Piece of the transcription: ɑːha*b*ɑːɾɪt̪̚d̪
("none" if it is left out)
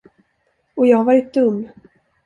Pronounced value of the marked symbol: v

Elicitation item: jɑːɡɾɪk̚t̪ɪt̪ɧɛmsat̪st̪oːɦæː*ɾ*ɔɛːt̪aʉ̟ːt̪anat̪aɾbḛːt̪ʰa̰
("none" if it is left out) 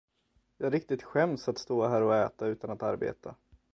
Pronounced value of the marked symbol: ɾ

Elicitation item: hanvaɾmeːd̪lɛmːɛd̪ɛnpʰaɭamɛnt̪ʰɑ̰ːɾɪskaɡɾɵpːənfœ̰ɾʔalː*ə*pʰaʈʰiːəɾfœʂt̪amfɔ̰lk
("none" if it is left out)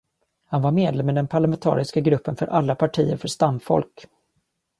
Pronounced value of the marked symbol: a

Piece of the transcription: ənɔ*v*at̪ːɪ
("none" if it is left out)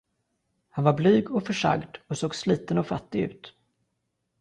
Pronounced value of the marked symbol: f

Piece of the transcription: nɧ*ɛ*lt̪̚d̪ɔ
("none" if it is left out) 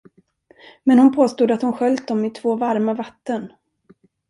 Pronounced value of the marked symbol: œ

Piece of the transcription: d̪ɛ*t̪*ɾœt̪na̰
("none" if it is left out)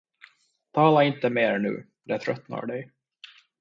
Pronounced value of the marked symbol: t̪ʰ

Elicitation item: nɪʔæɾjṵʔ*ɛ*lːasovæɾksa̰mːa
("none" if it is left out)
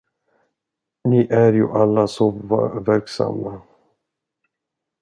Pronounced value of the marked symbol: a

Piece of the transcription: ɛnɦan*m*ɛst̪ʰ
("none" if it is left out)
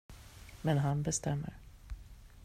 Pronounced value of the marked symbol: b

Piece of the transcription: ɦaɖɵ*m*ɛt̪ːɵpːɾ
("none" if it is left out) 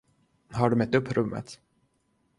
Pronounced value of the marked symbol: m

